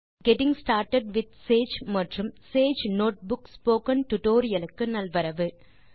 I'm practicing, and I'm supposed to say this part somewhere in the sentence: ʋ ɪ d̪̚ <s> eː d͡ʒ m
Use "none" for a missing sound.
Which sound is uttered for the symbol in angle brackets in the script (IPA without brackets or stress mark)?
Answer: s